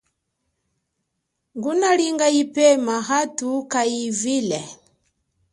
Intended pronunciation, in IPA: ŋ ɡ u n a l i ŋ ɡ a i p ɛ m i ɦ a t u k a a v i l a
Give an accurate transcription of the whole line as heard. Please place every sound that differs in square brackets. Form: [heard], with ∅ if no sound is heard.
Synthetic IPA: ŋ ɡ u n a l i ŋ ɡ a i p ɛ m [a] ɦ a t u k a [i] v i l [ɛ]